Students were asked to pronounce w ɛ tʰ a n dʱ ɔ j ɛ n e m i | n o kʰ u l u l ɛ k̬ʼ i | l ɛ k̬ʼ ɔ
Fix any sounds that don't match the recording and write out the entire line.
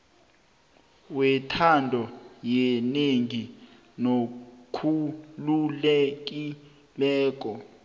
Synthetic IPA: w ɛ tʰ a n dʱ ɔ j ɛ n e ŋ i | n o kʰ u l u l ɛ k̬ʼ i | l ɛː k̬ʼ ɔ